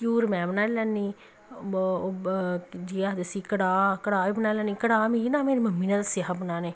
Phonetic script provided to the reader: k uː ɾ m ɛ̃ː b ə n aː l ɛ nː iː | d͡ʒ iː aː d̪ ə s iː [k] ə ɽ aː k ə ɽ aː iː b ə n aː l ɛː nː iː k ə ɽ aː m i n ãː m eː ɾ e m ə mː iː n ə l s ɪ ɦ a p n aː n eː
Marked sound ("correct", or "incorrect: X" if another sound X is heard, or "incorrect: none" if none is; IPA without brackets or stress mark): correct